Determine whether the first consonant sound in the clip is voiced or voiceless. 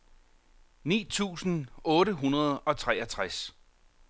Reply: voiced